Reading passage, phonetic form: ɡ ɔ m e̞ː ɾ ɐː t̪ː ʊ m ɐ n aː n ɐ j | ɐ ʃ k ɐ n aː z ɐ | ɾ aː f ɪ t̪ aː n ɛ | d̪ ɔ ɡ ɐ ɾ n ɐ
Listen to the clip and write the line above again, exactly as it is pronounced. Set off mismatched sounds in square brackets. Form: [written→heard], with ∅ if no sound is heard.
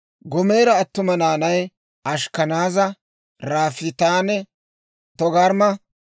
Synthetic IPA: ɡ ɔ m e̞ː ɾ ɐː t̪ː ʊ m ɐ n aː n ɐ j | ɐ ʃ k ɐ n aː z ɐ | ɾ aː f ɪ t̪ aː n ɛ | [d̪→t̪] ɔ ɡ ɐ ɾ [n→m] ɐ